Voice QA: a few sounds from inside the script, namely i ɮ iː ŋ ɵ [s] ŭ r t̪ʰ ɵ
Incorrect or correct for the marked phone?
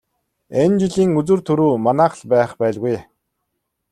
incorrect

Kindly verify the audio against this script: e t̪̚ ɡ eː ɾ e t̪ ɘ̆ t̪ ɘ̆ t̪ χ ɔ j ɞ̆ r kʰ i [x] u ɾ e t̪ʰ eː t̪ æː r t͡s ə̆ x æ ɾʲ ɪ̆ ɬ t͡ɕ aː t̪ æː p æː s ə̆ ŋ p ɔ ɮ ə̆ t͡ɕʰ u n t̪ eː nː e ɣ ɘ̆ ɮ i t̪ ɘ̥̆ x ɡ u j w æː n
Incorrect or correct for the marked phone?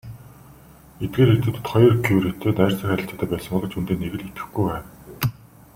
incorrect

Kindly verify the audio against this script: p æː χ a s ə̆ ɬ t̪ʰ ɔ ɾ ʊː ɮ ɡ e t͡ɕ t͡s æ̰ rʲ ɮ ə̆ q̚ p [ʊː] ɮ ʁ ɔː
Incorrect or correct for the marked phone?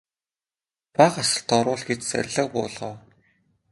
correct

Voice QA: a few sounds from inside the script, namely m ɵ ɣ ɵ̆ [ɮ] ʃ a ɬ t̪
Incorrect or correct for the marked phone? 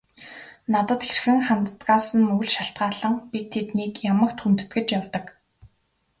correct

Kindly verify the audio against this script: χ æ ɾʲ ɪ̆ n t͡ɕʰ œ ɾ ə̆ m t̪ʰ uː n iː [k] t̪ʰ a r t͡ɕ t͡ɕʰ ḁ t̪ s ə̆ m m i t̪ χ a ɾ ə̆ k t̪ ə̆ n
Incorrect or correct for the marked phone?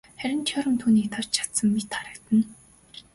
correct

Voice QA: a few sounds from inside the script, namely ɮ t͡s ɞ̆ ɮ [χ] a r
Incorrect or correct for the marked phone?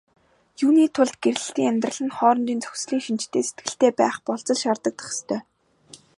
incorrect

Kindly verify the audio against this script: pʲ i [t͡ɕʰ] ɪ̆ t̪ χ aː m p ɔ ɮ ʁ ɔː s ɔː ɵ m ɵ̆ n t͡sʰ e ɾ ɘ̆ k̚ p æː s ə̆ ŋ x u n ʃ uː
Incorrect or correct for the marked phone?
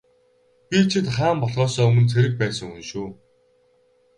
correct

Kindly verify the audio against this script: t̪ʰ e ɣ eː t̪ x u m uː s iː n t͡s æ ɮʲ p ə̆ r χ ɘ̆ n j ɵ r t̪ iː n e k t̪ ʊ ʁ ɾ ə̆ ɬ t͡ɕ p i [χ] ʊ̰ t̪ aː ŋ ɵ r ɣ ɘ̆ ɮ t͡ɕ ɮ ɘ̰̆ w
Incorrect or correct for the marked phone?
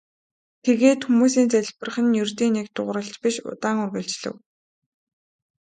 incorrect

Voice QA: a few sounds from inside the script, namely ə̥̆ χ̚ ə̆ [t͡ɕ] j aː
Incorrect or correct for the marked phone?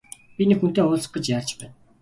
correct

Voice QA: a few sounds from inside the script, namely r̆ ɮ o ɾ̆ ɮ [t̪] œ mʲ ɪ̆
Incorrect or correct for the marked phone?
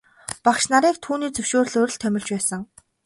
incorrect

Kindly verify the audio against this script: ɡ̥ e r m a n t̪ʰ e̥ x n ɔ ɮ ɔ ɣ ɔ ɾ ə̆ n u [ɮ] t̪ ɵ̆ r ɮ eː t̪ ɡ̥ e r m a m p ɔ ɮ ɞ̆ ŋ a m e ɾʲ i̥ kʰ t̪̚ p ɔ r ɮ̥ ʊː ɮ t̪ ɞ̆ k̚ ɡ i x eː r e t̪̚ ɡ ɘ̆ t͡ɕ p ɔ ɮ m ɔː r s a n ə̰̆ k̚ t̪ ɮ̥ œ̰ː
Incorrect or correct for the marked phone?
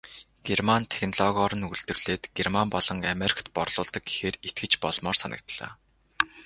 correct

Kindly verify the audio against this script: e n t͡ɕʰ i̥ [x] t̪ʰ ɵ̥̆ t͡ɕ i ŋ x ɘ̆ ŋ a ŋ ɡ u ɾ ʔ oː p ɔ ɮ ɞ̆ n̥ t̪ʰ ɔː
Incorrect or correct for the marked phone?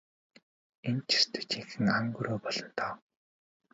incorrect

